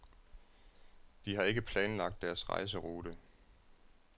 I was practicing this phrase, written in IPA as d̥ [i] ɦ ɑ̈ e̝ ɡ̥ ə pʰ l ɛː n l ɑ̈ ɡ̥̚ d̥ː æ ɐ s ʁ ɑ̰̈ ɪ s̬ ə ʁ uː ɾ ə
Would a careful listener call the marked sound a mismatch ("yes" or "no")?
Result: no